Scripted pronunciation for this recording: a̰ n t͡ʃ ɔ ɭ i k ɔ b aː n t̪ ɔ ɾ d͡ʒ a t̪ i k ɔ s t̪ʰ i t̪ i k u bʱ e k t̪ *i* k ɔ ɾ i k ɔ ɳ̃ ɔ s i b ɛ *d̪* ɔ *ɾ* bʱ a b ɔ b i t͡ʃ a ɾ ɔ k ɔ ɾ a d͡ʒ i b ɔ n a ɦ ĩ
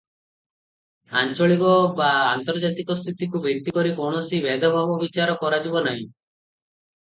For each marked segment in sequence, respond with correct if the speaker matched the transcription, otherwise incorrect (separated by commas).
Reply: correct, correct, incorrect